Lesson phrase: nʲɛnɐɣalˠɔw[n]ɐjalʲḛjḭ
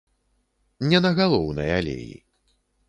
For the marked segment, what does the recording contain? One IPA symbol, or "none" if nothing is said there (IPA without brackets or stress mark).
n